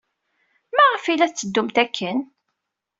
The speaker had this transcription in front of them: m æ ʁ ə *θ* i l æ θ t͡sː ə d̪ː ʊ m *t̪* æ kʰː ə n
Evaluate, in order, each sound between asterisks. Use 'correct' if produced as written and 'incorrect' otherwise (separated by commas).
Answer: incorrect, correct